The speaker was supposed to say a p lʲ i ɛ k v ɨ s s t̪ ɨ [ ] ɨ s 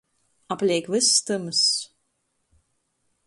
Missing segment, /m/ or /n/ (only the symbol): m